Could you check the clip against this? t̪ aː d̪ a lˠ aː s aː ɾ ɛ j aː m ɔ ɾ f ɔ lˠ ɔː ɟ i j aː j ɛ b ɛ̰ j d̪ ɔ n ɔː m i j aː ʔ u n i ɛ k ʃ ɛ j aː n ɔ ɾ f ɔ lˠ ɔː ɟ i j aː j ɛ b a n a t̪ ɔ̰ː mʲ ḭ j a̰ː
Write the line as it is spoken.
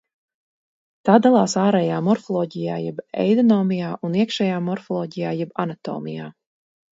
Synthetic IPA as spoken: t̪ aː d̪ a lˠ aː s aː ɾ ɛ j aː m ɔ ɾ f ɔ lˠ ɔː ɟ i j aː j ɛ b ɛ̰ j d̪ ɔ n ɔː m i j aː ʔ u n i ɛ k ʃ ɛ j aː m ɔ ɾ f ɔ lˠ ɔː ɟ i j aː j ɛ b a n a t̪ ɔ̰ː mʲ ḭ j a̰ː